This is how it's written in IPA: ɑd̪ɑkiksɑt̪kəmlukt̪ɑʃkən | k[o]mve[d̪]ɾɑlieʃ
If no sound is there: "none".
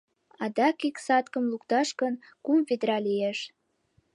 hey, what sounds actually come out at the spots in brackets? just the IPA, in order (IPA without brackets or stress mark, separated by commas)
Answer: u, d̪